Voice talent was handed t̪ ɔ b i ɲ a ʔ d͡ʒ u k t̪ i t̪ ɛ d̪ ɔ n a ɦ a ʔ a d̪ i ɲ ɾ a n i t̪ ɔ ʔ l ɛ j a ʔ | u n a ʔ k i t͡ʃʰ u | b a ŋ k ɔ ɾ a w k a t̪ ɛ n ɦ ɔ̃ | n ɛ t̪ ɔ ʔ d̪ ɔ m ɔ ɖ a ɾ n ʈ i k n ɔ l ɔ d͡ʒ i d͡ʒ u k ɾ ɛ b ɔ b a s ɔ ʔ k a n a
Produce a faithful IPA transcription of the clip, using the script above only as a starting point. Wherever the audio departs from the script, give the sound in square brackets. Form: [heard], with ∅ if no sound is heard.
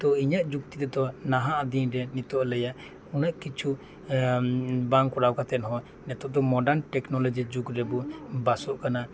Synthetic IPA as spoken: t̪ ɔ [∅] i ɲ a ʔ d͡ʒ u k t̪ i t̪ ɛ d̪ ɔ n a ɦ a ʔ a d̪ i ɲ ɾ [ɛ] n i t̪ ɔ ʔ l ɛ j a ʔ | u n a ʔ k i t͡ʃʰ u | b a ŋ k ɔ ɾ a w k a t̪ ɛ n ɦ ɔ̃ | n ɛ t̪ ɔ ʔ d̪ ɔ m ɔ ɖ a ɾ n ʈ [ɛ] k n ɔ l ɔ d͡ʒ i d͡ʒ u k ɾ ɛ b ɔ b a s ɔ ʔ k a n a

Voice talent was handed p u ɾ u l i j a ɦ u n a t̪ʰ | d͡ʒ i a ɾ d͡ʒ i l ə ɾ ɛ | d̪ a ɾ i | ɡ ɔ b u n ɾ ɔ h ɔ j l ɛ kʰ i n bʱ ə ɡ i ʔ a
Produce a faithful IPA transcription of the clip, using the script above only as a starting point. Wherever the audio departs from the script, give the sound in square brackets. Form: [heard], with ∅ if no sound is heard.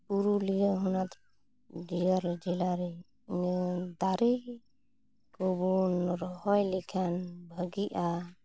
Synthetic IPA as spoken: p u ɾ u l i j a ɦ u n a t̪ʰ | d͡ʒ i a ɾ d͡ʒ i l [a] ɾ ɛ | d̪ a ɾ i | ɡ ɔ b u n ɾ ɔ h ɔ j l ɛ kʰ [a] n bʱ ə ɡ i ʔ a

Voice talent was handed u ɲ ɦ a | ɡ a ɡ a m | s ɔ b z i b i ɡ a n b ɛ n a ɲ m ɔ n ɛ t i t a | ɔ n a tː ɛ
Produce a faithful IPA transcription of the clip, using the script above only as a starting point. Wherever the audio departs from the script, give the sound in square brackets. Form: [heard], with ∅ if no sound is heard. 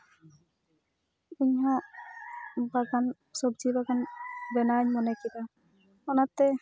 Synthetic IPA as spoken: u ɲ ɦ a | [b] a ɡ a [n] | s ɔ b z i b [a] ɡ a n b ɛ n a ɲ m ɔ n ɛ [k] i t a | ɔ n a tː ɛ

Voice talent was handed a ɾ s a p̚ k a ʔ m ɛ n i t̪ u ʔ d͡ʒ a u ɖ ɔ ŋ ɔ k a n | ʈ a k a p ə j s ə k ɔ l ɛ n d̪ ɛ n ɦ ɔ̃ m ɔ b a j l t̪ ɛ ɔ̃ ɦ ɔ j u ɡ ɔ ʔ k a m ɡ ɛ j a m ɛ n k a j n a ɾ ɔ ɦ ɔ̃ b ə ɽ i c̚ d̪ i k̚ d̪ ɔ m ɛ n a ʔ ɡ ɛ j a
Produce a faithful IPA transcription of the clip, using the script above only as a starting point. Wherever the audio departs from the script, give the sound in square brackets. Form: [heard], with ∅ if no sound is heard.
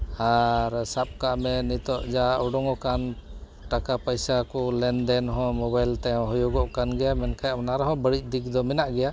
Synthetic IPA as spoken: a ɾ s a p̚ k a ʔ m ɛ n i t̪ [ɔ] ʔ d͡ʒ a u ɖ ɔ ŋ ɔ k a n | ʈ a k a p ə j s [a] k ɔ l ɛ n d̪ ɛ n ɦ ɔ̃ m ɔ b a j l t̪ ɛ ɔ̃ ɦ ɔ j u ɡ ɔ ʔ k a [n] ɡ ɛ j a m ɛ n k a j n a ɾ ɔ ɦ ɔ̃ b ə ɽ i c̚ d̪ i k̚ d̪ ɔ m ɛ n a ʔ ɡ ɛ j a

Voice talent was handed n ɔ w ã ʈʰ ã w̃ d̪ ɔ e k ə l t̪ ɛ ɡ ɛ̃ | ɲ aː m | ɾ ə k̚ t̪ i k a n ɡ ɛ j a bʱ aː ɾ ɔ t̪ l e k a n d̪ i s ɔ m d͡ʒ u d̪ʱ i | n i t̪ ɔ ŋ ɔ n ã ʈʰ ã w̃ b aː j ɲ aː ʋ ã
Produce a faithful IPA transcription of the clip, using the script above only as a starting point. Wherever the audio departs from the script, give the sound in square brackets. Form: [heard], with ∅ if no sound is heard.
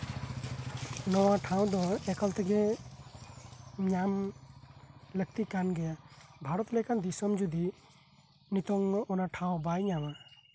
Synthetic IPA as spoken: n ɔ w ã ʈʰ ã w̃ d̪ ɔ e k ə l t̪ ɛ ɡ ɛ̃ | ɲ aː m | [l] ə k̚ t̪ i k a n ɡ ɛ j a bʱ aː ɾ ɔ t̪ l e k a n d̪ i s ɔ m d͡ʒ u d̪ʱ i | n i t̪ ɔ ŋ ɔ n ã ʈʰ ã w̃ b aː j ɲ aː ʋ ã

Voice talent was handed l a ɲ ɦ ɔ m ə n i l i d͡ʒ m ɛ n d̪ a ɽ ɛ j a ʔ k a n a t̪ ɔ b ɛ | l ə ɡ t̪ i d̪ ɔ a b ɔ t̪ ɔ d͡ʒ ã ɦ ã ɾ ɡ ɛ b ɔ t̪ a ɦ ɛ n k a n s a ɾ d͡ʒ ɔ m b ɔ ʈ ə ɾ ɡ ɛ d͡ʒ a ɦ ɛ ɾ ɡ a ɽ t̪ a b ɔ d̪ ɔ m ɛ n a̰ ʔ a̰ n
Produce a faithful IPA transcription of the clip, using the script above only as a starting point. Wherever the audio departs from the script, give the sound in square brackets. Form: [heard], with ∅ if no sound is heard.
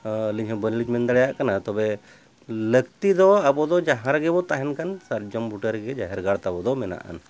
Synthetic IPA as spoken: l [i] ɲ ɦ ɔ [b] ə n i l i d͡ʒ m ɛ n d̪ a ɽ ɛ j a ʔ k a n a t̪ ɔ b ɛ | l ə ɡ t̪ i d̪ ɔ a b ɔ [d̪] ɔ d͡ʒ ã ɦ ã ɾ ɡ ɛ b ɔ t̪ a ɦ ɛ n k a n s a ɾ d͡ʒ ɔ m b [u] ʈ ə ɾ ɡ ɛ d͡ʒ a ɦ ɛ ɾ ɡ a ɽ t̪ a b ɔ d̪ ɔ m ɛ n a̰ ʔ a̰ n

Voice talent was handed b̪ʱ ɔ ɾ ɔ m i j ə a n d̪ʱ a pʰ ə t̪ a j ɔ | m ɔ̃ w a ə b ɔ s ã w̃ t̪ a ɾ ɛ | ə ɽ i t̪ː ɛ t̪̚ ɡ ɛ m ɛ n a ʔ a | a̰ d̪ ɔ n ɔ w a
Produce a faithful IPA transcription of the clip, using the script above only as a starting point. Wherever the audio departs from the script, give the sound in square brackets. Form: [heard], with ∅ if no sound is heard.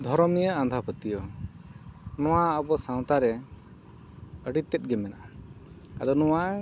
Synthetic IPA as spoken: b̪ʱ ɔ ɾ ɔ m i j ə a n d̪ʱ a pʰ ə t̪ [i] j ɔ | [n] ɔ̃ w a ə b ɔ s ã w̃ t̪ a ɾ ɛ | ə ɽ i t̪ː ɛ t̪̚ ɡ ɛ m ɛ n a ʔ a | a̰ d̪ ɔ n ɔ w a

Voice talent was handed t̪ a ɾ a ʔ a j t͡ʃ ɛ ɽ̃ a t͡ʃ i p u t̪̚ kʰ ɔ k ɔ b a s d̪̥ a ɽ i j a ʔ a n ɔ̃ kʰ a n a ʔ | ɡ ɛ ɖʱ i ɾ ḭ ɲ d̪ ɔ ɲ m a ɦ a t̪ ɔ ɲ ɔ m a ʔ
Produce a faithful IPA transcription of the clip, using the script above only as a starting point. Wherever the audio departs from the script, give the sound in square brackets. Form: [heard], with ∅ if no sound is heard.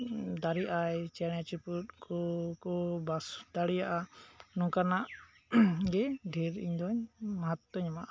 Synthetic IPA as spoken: [d̪] a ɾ [i] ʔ a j t͡ʃ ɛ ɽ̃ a t͡ʃ i p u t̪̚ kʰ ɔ k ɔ b a s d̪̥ a ɽ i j a ʔ a n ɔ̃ [k] a n a ʔ | ɡ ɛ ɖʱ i ɾ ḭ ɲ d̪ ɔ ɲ m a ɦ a t̪ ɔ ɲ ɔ m a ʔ

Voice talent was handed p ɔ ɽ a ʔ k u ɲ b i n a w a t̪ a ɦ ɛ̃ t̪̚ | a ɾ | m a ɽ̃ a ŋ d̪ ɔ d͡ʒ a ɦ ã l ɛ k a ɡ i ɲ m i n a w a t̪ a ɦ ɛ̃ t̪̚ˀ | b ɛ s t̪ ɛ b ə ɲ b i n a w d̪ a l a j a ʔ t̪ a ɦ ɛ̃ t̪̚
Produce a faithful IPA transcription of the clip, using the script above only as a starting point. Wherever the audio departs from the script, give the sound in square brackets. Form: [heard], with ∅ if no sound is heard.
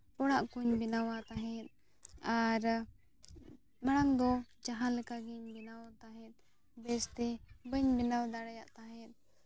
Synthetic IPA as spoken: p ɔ ɽ a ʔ k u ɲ b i n a w a t̪ a ɦ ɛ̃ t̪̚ | a ɾ | m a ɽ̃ a ŋ d̪ ɔ d͡ʒ a ɦ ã l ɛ k a ɡ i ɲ [b] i n a w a t̪ a ɦ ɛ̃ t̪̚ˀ | b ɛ s t̪ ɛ b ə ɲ b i n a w d̪ a [ɽ] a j a ʔ t̪ a ɦ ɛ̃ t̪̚

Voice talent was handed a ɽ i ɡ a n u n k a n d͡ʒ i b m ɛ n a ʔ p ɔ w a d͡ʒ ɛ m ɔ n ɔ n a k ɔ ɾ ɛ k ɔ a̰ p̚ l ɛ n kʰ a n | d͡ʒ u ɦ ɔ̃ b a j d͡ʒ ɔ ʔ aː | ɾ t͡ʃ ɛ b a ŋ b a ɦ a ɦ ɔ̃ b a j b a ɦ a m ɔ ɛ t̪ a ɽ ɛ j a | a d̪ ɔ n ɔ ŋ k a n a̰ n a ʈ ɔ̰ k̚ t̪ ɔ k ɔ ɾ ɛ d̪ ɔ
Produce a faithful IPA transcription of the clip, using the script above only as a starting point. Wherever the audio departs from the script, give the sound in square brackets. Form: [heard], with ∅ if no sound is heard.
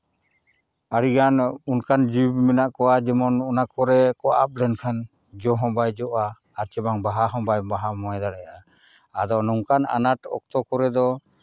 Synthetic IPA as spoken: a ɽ i ɡ a n u n k a n d͡ʒ i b m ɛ n a ʔ [k] ɔ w a d͡ʒ ɛ m ɔ n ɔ n a k ɔ ɾ ɛ k ɔ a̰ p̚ l ɛ n kʰ a n | d͡ʒ [ɔ] ɦ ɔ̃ b a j d͡ʒ ɔ ʔ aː | ɾ t͡ʃ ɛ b a ŋ b a ɦ a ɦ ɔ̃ b a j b a ɦ a m ɔ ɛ [d̪] a ɽ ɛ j a | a d̪ ɔ n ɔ ŋ k a n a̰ n a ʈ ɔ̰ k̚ t̪ ɔ k ɔ ɾ ɛ d̪ ɔ

